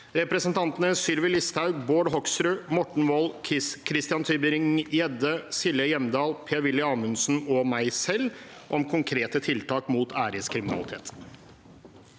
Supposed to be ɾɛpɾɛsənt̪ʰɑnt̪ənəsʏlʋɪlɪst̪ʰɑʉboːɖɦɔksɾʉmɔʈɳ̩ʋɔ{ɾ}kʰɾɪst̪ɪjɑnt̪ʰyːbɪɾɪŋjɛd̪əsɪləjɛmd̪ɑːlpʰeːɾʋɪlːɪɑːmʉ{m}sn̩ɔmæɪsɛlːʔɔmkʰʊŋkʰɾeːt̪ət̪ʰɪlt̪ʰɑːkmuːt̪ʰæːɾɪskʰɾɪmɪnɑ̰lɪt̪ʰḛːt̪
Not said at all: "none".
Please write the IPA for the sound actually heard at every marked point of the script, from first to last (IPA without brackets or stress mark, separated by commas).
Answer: l, n